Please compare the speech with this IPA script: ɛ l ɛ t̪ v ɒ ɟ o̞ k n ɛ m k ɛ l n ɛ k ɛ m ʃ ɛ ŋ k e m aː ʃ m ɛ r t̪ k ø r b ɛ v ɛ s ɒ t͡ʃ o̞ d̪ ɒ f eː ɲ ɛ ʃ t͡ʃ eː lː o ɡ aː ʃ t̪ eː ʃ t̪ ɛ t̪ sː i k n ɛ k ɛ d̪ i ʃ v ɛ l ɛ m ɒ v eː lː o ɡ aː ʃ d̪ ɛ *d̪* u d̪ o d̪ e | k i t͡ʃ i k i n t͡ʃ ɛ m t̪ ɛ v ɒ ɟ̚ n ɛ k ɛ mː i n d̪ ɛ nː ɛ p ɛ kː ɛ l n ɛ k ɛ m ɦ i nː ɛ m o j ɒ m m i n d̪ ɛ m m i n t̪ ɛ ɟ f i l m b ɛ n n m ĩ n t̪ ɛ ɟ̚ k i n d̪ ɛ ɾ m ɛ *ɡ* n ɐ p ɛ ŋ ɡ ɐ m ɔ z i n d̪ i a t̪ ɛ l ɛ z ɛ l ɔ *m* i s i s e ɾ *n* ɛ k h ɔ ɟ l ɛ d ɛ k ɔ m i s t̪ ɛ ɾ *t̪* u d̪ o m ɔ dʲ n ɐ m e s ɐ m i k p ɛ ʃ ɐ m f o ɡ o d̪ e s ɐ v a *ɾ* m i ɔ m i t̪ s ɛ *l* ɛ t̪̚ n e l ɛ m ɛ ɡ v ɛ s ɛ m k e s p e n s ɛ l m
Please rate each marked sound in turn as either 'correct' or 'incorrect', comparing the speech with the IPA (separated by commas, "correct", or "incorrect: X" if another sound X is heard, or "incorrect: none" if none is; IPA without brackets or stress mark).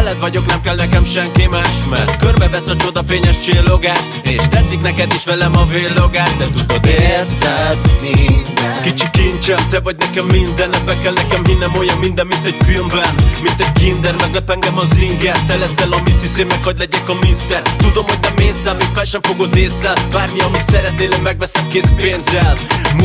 incorrect: t̪, correct, correct, incorrect: m, correct, correct, incorrect: ɾ